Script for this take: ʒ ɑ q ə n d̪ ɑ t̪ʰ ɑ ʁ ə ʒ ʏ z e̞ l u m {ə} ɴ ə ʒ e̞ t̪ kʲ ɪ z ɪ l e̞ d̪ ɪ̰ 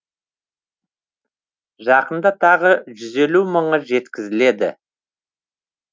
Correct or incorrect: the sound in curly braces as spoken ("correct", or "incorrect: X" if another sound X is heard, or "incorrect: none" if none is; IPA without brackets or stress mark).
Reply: correct